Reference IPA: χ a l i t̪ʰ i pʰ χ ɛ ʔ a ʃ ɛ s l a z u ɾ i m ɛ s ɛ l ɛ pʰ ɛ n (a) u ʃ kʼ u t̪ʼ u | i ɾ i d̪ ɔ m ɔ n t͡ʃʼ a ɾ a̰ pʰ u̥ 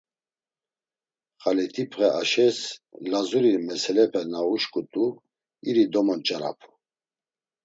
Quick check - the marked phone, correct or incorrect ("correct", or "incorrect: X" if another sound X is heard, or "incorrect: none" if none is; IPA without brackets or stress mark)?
correct